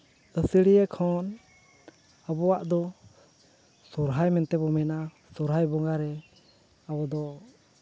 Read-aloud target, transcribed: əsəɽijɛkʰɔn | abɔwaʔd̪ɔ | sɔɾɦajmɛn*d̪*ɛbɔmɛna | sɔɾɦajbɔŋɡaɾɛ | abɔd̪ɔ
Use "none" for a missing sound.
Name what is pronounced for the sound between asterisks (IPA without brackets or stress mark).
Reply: t̪